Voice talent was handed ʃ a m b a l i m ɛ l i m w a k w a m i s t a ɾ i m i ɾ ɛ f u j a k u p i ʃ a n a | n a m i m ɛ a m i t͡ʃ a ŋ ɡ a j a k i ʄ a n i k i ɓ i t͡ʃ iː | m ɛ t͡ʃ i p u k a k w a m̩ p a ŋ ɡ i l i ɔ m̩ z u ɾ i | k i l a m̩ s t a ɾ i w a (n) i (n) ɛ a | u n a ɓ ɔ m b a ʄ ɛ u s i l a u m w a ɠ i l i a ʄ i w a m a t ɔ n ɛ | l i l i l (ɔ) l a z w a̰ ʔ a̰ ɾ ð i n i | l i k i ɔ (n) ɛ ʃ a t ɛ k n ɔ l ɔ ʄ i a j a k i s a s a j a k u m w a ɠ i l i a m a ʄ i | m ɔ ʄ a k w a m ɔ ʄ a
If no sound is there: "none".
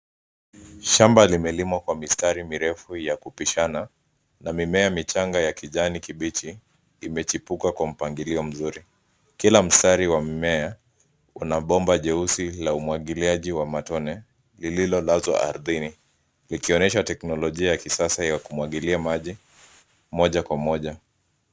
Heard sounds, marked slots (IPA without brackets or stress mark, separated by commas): m, m, ɔ, n